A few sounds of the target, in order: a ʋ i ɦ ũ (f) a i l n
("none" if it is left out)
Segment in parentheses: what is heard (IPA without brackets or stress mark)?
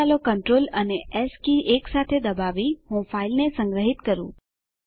f